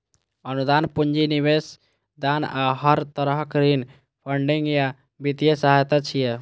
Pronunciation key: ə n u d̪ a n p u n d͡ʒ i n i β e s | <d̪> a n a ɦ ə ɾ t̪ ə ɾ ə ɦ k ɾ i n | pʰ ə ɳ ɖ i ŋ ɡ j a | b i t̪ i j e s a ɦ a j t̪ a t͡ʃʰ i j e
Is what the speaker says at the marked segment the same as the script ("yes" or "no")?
yes